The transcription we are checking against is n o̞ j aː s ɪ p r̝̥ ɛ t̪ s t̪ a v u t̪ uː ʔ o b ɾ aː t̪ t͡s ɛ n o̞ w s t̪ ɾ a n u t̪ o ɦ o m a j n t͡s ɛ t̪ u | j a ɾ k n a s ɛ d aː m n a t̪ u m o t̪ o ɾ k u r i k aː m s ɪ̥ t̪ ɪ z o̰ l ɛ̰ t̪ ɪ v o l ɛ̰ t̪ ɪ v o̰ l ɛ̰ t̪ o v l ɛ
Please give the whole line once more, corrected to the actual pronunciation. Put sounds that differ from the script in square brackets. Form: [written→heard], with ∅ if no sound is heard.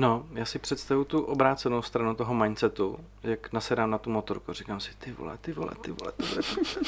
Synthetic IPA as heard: n o̞ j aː s ɪ p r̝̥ ɛ t̪ s t̪ a v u t̪ [uː→u] ʔ o b ɾ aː t̪ t͡s ɛ n o̞ w s t̪ ɾ a n u t̪ o ɦ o m a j n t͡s ɛ t̪ u | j a [ɾ→∅] k n a s ɛ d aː m n a t̪ u m o t̪ o ɾ k u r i k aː m s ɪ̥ t̪ ɪ [z→v] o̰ l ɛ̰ t̪ ɪ v o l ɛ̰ t̪ ɪ v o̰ l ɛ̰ t̪ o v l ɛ